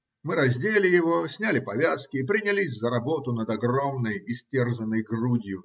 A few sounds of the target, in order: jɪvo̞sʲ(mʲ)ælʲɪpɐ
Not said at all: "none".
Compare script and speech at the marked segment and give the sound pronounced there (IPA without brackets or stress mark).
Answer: nʲ